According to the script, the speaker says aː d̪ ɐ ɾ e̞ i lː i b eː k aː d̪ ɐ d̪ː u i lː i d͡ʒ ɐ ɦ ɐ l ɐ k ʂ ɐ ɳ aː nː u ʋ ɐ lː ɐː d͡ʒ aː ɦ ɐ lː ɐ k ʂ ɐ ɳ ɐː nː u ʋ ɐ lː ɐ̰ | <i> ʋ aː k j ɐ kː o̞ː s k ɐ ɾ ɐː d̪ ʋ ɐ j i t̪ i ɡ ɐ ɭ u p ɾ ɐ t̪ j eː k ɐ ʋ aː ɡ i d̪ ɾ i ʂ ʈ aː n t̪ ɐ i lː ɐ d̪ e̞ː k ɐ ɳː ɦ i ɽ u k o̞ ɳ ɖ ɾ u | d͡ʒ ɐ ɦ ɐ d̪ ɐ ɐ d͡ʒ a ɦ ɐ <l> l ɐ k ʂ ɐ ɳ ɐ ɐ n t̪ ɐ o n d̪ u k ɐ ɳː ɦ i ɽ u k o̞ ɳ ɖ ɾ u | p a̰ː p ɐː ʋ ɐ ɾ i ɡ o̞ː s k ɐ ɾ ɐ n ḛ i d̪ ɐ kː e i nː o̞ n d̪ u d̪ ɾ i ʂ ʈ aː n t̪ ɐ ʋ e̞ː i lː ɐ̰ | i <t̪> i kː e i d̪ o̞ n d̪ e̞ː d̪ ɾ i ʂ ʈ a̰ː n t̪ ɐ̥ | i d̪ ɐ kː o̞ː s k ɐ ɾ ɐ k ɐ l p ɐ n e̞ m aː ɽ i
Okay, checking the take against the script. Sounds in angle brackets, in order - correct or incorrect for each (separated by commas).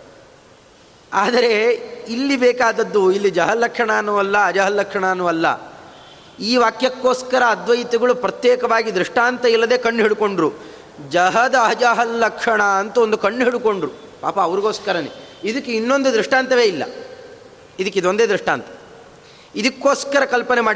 incorrect, correct, incorrect